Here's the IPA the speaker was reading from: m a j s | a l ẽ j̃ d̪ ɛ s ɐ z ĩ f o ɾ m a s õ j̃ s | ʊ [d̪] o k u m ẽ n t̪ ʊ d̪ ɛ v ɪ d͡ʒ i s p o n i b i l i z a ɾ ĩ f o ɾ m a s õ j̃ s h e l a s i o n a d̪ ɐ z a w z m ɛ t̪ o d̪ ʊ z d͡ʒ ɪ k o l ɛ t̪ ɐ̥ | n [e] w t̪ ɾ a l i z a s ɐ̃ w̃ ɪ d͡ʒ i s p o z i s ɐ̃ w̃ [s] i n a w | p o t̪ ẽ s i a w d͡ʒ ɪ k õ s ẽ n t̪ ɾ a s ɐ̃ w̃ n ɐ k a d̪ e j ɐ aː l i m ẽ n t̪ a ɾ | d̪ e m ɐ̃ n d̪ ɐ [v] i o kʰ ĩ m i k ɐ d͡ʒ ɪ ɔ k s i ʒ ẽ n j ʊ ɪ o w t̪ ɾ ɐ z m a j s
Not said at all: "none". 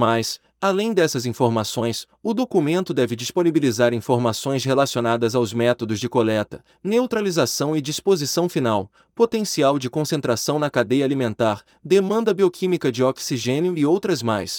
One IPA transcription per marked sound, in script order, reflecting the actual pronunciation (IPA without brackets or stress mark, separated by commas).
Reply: d̪, e, f, b